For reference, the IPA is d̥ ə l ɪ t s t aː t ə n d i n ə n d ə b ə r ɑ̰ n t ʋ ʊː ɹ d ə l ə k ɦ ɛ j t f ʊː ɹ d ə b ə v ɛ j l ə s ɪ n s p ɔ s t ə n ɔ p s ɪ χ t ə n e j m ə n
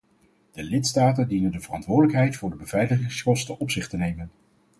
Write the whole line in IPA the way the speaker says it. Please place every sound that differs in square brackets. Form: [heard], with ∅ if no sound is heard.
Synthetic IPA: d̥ ə l ɪ t s t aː t ə n d i n ə n d ə [v] ə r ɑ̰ n t ʋ ʊː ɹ d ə l ə k ɦ ɛ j t f ʊː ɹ d ə b ə v ɛ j l ə [χ] ɪ [ŋ] s [k] ɔ s t ə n ɔ p s ɪ χ t ə n e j m ə n

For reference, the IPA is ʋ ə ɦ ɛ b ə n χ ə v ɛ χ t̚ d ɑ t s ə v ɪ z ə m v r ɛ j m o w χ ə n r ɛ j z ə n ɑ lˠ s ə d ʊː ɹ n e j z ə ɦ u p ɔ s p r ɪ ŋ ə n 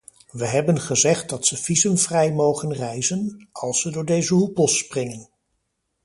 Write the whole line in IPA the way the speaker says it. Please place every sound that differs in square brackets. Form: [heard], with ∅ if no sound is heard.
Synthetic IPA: ʋ ə ɦ ɛ b ə n χ ə [z] ɛ χ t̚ d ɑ t s ə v [i] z ə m v r ɛ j m o w χ ə n r ɛ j z ə n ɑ lˠ s ə d ʊː ɹ [d] e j z ə ɦ u p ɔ s p r ɪ ŋ ə n

